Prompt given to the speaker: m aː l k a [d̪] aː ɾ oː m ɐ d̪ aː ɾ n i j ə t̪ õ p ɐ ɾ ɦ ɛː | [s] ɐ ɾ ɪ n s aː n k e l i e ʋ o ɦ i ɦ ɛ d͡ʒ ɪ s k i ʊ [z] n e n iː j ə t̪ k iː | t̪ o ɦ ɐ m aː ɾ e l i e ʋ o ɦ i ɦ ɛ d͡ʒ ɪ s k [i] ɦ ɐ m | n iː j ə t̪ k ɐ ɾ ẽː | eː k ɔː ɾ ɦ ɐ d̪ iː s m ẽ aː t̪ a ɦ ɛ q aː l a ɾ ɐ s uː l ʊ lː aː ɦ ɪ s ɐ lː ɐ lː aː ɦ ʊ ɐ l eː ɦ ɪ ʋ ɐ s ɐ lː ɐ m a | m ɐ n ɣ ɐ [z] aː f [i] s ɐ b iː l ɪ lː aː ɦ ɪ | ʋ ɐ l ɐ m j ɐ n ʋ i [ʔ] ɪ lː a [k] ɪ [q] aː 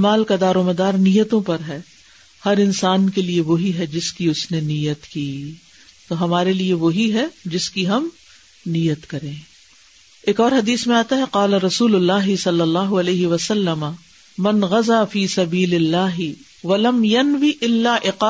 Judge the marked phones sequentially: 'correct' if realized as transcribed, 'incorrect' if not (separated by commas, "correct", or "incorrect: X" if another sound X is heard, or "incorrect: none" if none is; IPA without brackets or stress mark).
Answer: correct, incorrect: h, incorrect: s, correct, correct, incorrect: iː, correct, incorrect: ʔ, correct